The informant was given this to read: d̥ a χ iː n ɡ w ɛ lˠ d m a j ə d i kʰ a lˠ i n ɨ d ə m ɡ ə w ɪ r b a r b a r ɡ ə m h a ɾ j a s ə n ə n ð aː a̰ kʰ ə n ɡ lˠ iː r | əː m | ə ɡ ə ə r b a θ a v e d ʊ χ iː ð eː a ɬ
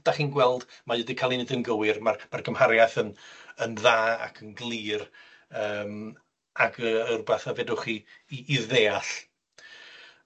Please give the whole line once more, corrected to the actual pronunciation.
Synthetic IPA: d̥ a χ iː n ɡ w ɛ lˠ d m a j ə d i kʰ a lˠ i n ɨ d ə n ɡ ə w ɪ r m a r m a r ɡ ə m h a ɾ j a θ ə n ə n ð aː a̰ kʰ ə n ɡ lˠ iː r | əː m | a ɡ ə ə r b a θ a v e d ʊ χ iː ð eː a ɬ